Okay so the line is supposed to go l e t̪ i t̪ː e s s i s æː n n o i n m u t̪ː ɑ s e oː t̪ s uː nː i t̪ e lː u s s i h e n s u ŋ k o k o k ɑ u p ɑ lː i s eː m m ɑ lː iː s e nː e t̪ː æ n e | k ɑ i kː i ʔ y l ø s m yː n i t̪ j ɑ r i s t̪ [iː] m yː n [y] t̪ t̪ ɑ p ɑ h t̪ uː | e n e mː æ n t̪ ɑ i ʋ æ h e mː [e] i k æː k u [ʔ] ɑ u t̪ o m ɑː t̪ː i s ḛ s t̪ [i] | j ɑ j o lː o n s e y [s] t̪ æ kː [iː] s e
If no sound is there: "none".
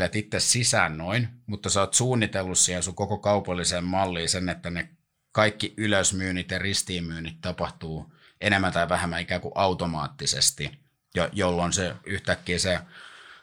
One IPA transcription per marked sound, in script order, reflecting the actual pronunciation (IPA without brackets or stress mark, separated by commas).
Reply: iː, i, æ, ʔ, i, h, iː